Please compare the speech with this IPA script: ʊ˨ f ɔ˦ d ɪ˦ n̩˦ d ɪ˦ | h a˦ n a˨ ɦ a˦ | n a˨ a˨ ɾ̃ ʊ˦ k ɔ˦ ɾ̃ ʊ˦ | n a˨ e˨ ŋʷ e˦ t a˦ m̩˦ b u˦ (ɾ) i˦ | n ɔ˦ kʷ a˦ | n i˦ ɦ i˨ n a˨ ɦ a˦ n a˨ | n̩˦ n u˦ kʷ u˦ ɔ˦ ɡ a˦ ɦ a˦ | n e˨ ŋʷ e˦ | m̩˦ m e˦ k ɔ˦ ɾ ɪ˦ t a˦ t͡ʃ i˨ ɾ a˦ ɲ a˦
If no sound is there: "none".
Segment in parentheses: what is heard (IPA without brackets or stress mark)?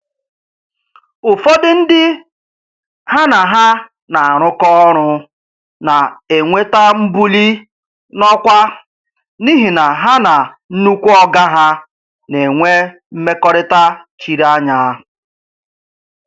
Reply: l